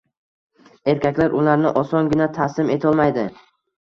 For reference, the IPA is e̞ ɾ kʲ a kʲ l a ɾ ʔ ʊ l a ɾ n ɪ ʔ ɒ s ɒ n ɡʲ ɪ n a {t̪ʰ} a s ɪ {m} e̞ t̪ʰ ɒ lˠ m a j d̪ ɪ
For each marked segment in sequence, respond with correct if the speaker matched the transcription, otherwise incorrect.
correct, correct

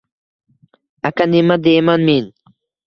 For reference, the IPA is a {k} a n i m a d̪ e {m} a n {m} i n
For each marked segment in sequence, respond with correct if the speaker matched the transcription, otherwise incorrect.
correct, correct, correct

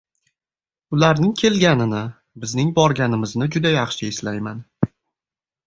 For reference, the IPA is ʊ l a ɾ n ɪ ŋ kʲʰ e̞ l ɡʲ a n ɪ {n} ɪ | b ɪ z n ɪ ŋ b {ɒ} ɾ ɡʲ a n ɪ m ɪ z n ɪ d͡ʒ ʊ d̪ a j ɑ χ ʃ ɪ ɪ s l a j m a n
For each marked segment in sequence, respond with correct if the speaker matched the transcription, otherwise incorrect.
correct, correct

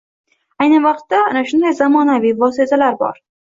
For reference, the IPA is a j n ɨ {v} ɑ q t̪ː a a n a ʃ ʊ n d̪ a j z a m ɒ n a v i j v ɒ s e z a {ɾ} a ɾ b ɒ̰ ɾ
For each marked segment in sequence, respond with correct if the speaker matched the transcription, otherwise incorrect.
correct, incorrect: l

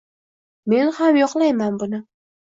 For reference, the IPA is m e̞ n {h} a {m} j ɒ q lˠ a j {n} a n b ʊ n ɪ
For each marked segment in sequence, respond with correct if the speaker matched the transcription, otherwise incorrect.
correct, correct, incorrect: m

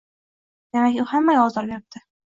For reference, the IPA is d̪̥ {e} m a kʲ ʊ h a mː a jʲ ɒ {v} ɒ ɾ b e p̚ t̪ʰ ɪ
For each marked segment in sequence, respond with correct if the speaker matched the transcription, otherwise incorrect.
correct, incorrect: z

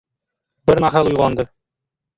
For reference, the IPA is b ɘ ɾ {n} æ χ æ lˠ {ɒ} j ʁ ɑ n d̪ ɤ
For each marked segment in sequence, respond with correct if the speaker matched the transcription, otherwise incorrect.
incorrect: m, incorrect: u

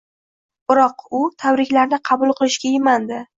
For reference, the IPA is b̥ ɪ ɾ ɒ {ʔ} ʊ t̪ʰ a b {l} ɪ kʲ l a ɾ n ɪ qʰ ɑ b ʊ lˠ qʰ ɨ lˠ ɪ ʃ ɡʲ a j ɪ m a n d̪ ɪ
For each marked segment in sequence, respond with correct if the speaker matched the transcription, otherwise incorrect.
incorrect: q, incorrect: ɾ

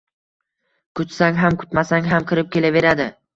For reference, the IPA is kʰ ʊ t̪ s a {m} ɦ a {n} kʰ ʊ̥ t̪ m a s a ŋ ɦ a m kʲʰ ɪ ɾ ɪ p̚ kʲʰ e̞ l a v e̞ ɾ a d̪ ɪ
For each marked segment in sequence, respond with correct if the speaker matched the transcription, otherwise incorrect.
incorrect: ŋ, incorrect: m

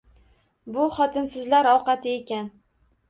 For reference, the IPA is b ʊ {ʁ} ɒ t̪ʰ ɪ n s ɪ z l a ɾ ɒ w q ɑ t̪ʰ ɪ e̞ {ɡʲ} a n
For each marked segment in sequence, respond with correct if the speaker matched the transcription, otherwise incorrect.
incorrect: χ, incorrect: kʲ

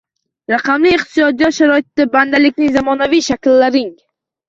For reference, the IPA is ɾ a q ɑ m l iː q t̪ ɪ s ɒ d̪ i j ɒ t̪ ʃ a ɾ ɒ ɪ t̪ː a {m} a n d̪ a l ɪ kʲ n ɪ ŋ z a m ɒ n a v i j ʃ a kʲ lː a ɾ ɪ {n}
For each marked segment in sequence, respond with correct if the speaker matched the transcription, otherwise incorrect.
incorrect: b, incorrect: ŋ

